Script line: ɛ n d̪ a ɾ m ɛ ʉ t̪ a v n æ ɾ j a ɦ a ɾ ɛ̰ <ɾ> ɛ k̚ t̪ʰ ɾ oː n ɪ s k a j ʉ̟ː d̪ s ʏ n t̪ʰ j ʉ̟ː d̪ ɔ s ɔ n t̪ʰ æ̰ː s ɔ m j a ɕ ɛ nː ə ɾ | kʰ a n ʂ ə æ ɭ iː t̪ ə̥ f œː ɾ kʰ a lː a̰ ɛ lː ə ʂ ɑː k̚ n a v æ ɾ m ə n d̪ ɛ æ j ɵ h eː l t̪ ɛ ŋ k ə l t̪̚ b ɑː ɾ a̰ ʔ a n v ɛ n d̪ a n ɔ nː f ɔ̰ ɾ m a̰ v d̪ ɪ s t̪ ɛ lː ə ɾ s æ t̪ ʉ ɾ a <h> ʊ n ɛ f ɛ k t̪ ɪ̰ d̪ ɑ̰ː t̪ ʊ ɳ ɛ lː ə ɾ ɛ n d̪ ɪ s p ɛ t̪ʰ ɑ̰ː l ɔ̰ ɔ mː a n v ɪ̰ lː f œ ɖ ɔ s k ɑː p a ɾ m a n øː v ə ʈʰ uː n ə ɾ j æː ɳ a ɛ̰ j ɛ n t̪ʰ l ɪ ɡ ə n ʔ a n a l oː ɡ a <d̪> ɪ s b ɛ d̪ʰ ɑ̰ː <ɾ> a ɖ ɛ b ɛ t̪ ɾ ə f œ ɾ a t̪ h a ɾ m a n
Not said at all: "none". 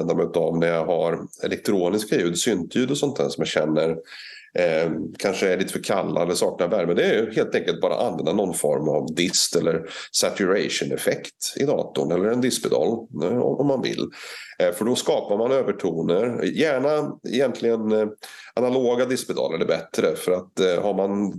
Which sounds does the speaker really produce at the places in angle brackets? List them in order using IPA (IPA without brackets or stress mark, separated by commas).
l, ʂ, d̪, l